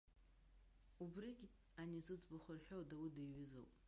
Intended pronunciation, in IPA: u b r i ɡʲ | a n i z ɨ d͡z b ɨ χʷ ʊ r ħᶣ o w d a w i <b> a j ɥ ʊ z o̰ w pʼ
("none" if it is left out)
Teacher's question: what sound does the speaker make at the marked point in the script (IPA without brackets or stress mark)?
d